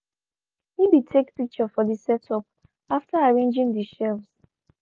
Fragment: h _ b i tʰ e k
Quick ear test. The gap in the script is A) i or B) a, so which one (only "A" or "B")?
A